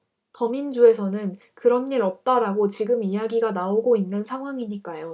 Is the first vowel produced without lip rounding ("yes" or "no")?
yes